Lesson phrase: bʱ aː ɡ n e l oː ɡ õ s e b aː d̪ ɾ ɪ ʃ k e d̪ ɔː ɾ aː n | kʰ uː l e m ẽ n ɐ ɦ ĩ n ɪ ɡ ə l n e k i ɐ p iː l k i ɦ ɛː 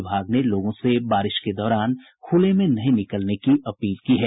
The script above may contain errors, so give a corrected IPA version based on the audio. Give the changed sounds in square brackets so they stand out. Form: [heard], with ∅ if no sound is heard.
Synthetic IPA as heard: bʱ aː ɡ n e l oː ɡ õ s e b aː [∅] ɾ ɪ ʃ k e d̪ ɔː ɾ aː n | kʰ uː l e m ẽ n ɐ ɦ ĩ n ɪ [k] ə l n e k i ɐ p iː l k i ɦ ɛː